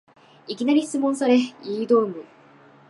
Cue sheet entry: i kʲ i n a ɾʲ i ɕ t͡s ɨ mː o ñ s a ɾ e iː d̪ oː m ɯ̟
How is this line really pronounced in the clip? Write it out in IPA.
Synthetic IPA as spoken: i kʲ i n a ɾʲ i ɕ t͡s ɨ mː õ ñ s a ɾ e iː d̪ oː m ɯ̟